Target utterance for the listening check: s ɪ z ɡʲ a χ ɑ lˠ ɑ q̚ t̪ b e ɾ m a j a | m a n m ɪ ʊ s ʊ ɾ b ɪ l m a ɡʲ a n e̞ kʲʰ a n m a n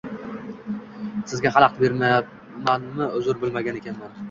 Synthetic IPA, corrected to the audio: s ɪ z ɡʲ a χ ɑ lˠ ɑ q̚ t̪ b e ɾ m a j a | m a n m ɪ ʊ z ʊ ɾ b ɪ l m a ɡʲ a n e̞ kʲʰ a n m a n